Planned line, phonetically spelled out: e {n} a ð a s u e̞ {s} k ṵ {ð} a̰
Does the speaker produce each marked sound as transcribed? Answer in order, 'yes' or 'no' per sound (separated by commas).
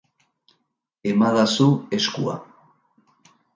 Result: no, yes, no